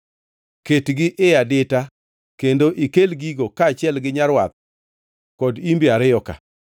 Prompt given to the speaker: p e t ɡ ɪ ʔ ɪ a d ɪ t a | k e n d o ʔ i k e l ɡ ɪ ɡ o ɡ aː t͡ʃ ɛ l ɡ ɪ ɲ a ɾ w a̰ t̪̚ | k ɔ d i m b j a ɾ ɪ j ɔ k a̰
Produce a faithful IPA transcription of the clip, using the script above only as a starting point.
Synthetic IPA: k e t ɡ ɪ ʔ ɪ a d ɪ t a | k e n d o ʔ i k e l ɡ i ɡ o k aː t͡ʃ ɛ l ɡ ɪ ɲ a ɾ w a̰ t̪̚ | k ɔ d i m b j a ɾ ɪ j ɔ k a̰